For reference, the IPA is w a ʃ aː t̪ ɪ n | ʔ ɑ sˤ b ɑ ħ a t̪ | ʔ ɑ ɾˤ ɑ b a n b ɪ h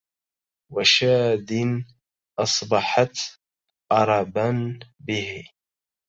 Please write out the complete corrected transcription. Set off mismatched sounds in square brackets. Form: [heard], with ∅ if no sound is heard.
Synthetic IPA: w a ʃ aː [d̪] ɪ n | ʔ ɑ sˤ b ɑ ħ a t̪ | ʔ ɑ ɾˤ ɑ b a n b ɪ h